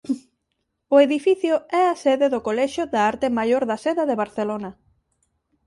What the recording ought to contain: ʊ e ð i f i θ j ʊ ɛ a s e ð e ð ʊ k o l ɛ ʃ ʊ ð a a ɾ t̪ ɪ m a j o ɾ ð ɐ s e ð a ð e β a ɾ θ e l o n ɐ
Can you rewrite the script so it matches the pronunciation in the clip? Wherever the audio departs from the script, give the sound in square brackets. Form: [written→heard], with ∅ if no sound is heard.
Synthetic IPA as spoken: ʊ e ð i f i θ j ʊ ɛ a s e ð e ð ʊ k o l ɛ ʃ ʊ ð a a ɾ t̪ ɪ m a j o ɾ ð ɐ s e ð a ð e β a ɾ θ e l o n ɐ